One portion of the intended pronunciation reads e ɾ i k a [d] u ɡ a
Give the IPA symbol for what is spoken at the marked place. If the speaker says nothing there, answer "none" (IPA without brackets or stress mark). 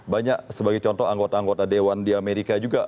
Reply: d͡ʒ